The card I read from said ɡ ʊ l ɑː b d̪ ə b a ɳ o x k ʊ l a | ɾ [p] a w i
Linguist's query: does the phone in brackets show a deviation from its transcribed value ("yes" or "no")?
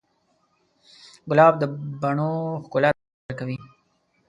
yes